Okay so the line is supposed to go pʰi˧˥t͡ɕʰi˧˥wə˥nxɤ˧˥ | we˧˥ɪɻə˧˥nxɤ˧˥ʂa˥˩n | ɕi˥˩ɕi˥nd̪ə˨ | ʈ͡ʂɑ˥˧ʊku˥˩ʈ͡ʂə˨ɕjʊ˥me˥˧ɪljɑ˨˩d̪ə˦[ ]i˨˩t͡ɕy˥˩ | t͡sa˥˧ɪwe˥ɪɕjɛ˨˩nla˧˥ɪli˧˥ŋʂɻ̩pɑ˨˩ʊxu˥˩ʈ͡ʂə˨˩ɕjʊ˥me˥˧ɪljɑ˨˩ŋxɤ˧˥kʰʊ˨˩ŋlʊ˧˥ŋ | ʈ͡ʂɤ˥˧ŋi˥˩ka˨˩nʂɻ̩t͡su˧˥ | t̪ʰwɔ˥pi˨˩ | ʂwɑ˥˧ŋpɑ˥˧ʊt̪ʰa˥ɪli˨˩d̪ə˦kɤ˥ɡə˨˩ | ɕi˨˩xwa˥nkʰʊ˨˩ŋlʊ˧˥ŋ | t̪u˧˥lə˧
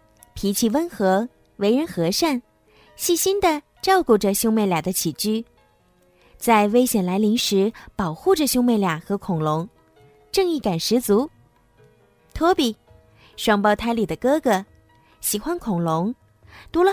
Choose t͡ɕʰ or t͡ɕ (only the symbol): t͡ɕʰ